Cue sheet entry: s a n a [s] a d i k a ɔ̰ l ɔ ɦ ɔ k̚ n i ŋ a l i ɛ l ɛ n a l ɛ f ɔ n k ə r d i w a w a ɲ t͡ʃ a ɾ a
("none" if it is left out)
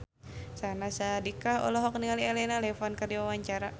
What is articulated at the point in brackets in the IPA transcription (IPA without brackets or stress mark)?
s